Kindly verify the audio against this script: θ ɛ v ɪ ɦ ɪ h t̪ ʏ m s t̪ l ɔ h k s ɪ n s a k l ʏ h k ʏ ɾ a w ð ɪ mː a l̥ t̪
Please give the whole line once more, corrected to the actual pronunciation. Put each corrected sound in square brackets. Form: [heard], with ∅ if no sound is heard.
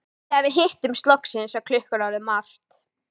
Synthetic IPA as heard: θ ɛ v ɪ ɦ ɪ h t̪ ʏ m s t̪ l ɔ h k s ɪ n s a [kʰ] l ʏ h k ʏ ɾ a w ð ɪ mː a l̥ t̪